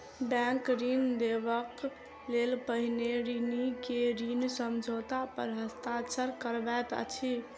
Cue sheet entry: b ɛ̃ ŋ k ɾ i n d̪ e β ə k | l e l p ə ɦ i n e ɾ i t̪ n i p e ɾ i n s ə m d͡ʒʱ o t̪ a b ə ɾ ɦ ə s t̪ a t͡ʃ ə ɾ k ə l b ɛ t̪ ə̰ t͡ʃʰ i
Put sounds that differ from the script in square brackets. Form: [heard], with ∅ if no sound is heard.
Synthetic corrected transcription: b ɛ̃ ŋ k ɾ i n d̪ e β ə k | l e l p ə ɦ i n e ɾ i [∅] n i [k] e ɾ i n s ə m d͡ʒʱ o t̪ a [p] ə ɾ ɦ ə s t̪ a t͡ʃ ə ɾ k ə [ɾ] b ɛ t̪ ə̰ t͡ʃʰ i